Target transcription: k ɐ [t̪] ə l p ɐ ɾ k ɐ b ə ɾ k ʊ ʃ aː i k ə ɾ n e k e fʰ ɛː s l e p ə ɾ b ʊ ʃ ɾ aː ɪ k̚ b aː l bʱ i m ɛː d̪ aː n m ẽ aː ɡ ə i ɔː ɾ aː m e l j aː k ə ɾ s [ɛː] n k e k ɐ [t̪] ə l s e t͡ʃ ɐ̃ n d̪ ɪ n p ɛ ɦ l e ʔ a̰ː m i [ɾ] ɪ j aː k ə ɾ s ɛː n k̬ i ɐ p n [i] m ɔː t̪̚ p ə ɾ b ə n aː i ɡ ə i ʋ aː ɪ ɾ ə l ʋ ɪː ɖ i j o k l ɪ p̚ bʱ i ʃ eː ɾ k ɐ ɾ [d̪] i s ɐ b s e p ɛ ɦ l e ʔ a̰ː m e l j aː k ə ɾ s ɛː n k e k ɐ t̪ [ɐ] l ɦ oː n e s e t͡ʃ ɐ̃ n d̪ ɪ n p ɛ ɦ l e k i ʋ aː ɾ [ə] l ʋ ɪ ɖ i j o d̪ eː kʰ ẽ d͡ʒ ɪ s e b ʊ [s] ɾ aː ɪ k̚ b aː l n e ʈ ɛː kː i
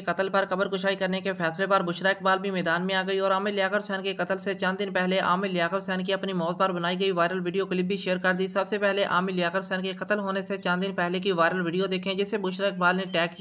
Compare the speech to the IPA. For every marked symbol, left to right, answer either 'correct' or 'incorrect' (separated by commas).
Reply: correct, correct, correct, incorrect, correct, correct, incorrect, correct, incorrect